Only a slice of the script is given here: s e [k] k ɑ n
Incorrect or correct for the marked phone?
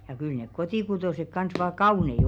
correct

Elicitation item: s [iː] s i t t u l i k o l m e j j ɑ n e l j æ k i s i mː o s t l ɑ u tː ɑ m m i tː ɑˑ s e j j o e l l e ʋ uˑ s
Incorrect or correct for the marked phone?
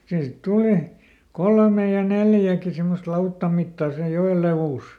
correct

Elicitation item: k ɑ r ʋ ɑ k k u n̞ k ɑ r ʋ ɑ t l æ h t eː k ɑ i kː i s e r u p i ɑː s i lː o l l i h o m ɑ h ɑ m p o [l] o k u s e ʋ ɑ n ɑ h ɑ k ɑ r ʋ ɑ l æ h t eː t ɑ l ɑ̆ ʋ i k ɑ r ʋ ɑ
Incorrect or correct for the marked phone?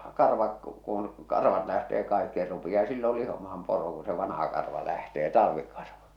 incorrect: r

